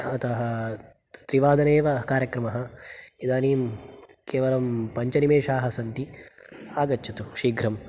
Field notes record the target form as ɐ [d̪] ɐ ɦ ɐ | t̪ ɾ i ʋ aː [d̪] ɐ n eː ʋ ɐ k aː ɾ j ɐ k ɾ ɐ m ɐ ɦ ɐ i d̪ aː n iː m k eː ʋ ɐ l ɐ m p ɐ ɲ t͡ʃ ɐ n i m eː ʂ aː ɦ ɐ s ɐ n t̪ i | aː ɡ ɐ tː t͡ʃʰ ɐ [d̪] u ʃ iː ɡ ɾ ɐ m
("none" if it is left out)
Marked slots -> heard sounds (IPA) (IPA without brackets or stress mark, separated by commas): t̪, d̪, t̪